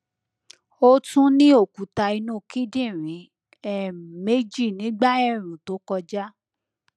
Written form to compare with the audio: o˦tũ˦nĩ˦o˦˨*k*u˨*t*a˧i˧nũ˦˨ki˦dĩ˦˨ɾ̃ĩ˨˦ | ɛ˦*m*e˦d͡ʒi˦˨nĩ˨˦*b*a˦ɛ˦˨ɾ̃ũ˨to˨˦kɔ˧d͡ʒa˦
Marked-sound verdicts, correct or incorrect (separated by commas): correct, correct, correct, incorrect